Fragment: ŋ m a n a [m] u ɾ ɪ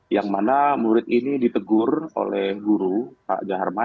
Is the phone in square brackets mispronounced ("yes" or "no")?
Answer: no